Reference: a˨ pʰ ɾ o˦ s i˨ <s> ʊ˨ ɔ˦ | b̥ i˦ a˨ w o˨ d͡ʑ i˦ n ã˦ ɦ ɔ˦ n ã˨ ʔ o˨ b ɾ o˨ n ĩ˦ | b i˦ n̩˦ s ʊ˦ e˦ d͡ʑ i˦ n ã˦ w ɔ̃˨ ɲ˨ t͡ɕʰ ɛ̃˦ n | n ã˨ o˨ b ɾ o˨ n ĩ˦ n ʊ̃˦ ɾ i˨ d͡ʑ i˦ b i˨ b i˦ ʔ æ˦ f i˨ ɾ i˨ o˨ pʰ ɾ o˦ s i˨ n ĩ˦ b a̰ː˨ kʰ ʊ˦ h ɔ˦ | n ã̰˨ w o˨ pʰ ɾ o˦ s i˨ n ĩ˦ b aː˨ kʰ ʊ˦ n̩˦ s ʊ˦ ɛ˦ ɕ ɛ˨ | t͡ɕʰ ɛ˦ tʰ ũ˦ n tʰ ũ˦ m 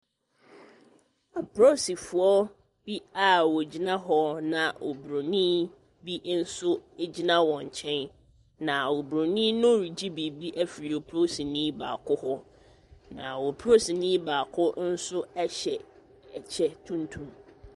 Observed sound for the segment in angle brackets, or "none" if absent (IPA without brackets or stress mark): f